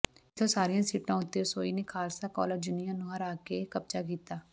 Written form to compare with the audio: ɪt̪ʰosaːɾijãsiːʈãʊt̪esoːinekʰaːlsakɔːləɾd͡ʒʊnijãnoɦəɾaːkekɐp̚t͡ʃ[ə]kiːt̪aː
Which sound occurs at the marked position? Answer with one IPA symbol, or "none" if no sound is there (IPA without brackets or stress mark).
a